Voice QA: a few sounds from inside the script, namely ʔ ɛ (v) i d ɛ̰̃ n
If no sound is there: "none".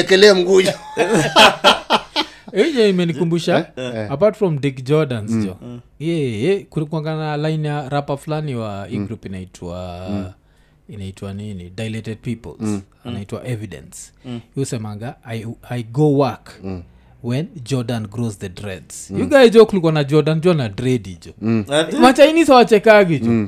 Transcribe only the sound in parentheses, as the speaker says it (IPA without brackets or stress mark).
v